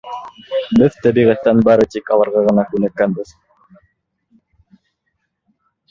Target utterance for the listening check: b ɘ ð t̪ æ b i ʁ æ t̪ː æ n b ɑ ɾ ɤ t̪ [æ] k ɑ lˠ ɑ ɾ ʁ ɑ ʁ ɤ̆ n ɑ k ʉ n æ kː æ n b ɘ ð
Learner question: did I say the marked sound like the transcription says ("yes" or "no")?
no